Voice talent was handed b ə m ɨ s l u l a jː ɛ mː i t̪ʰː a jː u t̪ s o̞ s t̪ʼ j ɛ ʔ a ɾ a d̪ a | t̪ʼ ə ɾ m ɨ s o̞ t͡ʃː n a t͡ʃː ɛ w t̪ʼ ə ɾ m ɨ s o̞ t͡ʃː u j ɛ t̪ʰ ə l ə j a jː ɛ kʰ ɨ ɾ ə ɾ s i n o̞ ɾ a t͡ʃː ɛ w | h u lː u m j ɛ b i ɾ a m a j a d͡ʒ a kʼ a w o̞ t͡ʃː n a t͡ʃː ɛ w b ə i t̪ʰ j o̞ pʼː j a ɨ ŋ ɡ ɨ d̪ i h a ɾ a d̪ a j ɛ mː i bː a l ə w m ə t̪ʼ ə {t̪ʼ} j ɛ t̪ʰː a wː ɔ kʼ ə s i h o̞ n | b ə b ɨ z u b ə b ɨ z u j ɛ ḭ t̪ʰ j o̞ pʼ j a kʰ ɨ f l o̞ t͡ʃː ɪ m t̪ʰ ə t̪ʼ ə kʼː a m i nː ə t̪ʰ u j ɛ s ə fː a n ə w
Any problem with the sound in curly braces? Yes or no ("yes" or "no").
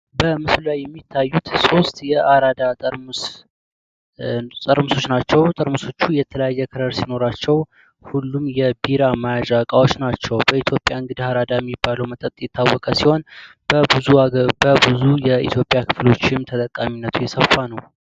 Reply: no